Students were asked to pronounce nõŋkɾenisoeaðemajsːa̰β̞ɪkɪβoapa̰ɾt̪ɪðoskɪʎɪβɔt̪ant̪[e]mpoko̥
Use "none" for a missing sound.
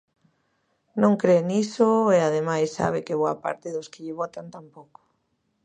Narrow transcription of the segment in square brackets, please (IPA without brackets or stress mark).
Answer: a